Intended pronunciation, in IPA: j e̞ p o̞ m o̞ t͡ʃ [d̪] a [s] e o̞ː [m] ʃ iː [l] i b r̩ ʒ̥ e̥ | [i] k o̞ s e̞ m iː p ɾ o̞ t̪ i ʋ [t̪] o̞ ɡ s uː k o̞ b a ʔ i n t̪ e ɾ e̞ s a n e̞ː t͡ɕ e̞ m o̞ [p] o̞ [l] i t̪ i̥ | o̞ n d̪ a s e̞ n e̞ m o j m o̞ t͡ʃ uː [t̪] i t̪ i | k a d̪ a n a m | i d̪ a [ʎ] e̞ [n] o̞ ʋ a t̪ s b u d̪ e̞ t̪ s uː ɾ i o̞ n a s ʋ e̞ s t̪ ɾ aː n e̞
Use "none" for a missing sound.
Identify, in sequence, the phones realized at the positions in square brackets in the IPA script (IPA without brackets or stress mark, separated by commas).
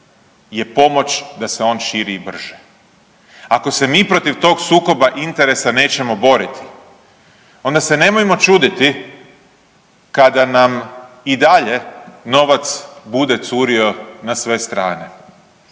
d̪, s, n, ɾ, a, t̪, b, ɾ, d̪, ʎ, n